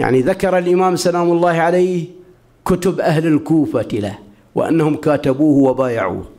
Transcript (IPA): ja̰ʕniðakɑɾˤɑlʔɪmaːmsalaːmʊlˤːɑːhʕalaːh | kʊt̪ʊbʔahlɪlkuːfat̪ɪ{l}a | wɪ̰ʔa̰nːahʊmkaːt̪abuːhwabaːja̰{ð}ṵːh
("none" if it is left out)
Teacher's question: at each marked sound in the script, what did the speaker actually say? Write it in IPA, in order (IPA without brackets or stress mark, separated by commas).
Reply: l, ʕ